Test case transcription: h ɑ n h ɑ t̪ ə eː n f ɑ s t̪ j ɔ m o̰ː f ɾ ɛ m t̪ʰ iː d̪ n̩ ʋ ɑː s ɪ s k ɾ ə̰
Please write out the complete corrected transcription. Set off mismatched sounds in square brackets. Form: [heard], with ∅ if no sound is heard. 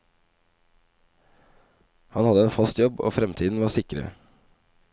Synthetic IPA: h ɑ n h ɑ [d̪] ə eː n f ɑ s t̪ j ɔ [b] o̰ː f ɾ ɛ m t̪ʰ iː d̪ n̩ ʋ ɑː s ɪ [∅] k ɾ ə̰